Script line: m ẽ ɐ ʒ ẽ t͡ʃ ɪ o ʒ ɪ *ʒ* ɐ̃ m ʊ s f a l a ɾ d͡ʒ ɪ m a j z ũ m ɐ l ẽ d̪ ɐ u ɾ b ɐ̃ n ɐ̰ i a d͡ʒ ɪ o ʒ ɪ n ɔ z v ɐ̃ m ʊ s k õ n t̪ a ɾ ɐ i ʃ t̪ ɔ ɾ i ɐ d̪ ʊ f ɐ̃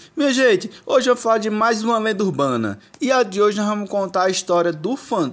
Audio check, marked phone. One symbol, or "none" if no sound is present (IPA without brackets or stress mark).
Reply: v